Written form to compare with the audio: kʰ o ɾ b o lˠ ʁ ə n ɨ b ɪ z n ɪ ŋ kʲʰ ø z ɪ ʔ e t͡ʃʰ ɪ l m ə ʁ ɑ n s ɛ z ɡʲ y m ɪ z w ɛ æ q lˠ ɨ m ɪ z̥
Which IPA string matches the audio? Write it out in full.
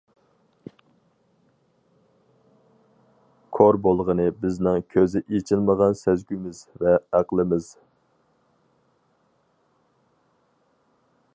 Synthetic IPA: kʰ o ɾ b o lˠ ʁ ə n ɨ b ɪ z n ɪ ŋ kʲʰ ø z ɪ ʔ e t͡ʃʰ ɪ l m ə ʁ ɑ n s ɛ z ɡʲ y m ɪ z v ɛ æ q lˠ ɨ m ɪ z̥